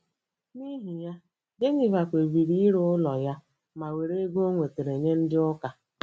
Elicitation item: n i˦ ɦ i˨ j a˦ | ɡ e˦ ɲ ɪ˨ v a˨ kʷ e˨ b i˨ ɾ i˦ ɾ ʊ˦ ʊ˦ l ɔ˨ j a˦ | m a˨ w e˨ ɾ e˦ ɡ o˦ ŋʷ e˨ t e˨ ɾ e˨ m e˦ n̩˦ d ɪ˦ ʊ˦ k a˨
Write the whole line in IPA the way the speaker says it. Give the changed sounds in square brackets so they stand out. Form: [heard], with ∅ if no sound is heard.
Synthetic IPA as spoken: n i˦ ɦ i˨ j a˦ | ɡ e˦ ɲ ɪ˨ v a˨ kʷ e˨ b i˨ ɾ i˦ ɾ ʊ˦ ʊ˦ l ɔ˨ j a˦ | m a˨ w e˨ ɾ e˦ ɡ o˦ ŋʷ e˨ t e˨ ɾ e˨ [ɲ] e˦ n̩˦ d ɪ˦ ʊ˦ k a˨